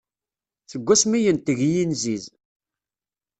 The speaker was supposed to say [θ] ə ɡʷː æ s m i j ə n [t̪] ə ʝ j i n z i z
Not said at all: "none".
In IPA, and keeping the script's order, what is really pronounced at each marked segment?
θ, t̪

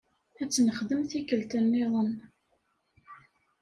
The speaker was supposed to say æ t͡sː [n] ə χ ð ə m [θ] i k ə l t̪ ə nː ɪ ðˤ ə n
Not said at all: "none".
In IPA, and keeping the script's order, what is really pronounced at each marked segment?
n, θ

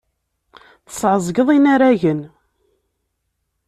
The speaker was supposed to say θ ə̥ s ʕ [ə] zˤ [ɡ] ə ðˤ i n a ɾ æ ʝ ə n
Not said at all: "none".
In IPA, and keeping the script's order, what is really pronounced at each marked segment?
ə, ɡ

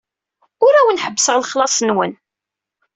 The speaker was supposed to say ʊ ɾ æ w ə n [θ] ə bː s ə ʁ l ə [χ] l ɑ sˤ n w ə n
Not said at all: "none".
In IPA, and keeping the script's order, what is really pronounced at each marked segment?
ħ, χ

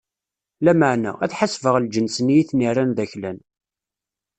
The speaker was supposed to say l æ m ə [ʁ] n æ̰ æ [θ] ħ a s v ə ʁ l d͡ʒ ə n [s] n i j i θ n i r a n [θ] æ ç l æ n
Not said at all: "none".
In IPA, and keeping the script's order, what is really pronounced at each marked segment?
ʕ, θ, s, ð

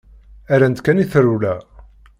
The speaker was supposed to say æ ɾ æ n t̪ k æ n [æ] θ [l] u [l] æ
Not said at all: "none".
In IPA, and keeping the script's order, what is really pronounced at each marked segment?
i, ɾ, l

